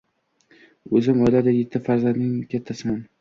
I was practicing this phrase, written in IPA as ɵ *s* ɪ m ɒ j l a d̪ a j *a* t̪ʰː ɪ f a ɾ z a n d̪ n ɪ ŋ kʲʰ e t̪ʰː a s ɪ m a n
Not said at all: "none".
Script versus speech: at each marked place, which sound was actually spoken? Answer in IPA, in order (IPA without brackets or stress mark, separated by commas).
z, e